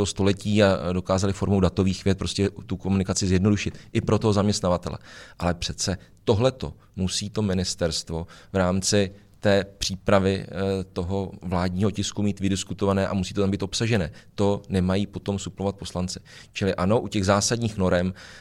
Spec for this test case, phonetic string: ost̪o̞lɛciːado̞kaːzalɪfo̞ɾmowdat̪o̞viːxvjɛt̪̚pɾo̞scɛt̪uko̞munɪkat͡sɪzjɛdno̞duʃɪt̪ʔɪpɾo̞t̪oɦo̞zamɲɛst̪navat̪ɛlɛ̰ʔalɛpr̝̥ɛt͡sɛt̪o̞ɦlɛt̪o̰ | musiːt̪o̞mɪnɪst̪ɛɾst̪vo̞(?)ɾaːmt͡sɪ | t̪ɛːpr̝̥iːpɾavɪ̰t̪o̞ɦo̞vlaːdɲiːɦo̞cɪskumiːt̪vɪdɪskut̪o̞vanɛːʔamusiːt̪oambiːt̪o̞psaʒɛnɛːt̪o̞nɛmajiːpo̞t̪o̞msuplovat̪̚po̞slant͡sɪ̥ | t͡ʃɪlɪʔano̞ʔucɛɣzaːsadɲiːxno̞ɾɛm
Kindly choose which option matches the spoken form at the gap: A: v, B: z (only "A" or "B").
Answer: A